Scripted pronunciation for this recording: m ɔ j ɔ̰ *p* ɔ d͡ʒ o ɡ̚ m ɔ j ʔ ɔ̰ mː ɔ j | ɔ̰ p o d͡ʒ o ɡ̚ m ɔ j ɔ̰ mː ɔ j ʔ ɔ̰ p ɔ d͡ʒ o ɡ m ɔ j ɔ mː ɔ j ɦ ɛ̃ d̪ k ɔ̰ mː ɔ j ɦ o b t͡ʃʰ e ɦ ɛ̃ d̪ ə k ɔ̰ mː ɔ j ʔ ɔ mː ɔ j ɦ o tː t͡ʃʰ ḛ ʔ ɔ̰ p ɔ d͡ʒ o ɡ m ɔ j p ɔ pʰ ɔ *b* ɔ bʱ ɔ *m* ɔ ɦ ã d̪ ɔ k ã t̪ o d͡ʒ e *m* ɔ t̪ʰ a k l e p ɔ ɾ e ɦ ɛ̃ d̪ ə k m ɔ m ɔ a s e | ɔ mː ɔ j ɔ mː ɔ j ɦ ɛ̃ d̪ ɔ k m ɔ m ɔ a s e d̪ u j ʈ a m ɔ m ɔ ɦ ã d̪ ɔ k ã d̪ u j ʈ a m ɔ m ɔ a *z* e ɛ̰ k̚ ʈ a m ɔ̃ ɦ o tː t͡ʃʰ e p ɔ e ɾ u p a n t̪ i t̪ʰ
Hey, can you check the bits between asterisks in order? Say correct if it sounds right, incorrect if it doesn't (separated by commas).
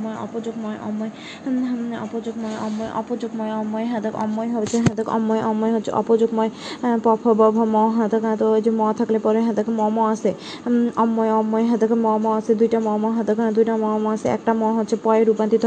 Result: correct, correct, correct, correct, incorrect